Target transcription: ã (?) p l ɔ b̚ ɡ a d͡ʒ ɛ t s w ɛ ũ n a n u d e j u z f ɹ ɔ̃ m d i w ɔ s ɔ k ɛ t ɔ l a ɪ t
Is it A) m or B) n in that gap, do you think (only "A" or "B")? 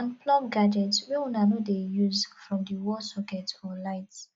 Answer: B